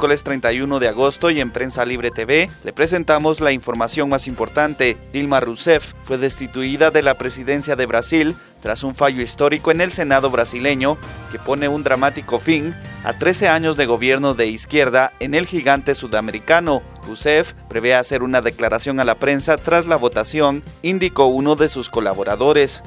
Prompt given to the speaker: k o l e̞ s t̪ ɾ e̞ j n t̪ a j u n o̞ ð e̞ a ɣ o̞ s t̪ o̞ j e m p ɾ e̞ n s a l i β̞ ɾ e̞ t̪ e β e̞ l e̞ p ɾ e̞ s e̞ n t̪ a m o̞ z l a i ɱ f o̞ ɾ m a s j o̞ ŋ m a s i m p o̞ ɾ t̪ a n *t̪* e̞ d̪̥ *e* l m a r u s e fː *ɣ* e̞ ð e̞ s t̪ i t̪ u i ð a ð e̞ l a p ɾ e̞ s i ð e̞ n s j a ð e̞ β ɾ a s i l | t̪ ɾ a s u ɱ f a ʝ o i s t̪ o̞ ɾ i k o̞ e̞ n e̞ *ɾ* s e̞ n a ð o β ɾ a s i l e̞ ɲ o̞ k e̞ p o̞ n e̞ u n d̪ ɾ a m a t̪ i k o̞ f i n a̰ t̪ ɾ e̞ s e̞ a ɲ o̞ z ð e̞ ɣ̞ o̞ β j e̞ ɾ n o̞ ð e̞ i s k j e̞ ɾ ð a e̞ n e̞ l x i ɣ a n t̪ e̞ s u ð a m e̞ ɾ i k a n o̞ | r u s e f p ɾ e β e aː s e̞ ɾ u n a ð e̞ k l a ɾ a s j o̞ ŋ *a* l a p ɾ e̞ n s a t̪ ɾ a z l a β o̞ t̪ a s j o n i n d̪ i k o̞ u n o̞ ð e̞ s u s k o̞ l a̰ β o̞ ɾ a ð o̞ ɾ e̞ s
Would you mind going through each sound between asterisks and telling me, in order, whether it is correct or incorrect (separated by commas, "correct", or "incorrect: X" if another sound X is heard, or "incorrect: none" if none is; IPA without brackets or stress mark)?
correct, incorrect: i, incorrect: w, incorrect: l, correct